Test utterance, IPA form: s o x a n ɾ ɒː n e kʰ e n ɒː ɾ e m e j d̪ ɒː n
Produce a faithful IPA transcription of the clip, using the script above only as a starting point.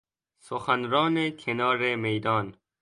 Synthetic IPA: s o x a n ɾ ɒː n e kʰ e n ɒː ɾ e m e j d̪ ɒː n

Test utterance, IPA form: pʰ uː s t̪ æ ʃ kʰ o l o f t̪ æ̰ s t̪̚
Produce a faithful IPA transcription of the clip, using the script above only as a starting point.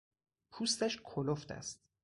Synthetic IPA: pʰ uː s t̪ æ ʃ kʰ o l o f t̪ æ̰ s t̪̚

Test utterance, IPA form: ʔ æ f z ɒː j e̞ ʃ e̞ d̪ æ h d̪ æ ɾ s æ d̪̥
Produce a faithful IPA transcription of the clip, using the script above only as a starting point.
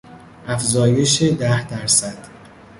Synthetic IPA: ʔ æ f z ɒː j e̞ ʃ e̞ d̪ æ h d̪ æ ɾ s æ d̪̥

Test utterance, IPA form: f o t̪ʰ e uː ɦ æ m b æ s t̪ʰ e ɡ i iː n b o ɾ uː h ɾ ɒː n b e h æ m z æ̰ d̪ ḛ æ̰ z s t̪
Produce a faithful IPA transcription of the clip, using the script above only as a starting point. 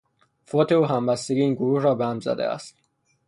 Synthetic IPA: f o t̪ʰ e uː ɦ æ m b æ s t̪ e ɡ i iː n ɡ o ɾ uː h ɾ ɒː b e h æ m z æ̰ d̪ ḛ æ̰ s t̪

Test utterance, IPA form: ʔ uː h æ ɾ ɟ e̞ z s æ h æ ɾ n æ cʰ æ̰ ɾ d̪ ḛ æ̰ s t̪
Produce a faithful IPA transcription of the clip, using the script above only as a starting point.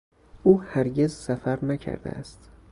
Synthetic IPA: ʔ uː h æ ɾ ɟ e̞ z s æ f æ ɾ n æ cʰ æ̰ ɾ d̪ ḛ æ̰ s t̪

